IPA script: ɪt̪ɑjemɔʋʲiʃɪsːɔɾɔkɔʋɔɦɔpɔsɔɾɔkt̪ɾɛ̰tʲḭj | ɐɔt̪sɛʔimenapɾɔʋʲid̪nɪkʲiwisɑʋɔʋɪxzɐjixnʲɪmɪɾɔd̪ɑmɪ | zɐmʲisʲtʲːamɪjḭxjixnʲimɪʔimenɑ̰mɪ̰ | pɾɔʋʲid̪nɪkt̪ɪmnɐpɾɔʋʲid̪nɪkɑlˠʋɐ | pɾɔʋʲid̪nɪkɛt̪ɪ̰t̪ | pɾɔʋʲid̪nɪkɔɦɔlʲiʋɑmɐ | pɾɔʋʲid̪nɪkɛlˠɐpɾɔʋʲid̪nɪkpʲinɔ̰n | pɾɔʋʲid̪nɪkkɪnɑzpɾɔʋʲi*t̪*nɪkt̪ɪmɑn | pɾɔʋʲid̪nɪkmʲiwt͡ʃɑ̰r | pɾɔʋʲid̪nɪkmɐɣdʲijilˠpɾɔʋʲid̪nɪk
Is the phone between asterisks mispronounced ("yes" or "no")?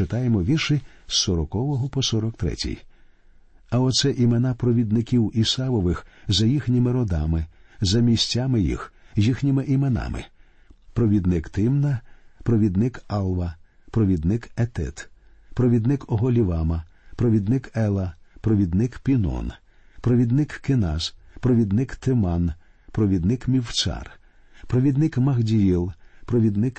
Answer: yes